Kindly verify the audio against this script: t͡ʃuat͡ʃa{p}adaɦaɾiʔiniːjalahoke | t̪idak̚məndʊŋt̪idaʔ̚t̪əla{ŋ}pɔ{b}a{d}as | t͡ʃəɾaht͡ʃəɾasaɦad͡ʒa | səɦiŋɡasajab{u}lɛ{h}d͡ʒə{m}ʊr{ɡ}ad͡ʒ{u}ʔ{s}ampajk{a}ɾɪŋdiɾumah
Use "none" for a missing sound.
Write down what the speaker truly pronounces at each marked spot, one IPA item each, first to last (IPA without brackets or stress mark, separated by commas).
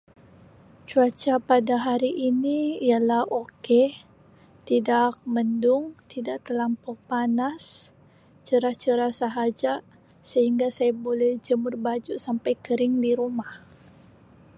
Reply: p, m, p, n, o, h, m, b, u, s, ə